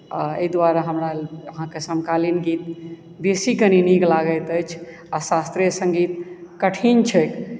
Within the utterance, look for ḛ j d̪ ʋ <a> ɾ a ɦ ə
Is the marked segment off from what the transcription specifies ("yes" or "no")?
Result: no